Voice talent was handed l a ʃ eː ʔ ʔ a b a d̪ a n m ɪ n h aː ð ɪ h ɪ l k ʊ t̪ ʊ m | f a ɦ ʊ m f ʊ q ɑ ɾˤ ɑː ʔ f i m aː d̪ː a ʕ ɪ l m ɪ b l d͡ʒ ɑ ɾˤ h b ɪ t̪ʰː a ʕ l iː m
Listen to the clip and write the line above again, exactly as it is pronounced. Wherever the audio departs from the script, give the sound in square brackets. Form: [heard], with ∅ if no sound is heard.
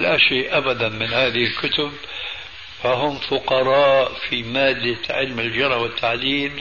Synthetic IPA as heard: l a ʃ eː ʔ ʔ a b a d̪ a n m ɪ n h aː ð ɪ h ɪ l k ʊ t̪ ʊ [b] | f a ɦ ʊ m f ʊ q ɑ ɾˤ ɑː ʔ f i m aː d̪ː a ʕ ɪ l m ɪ [∅] l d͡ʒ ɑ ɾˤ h [w] ɪ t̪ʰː a ʕ l iː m